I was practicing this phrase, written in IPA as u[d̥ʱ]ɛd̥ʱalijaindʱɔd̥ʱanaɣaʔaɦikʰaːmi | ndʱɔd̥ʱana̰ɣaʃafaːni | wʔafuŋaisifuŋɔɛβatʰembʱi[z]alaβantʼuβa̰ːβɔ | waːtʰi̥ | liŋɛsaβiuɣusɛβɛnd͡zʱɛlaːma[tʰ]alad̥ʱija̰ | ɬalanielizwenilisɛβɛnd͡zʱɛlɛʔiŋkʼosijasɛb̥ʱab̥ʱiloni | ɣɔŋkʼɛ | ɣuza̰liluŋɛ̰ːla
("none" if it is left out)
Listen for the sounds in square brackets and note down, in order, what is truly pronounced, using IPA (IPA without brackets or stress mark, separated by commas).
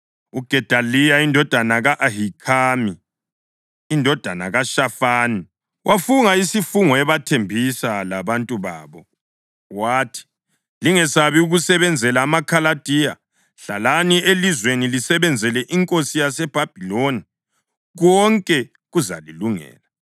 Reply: ɡ̥ʱ, s, kʰ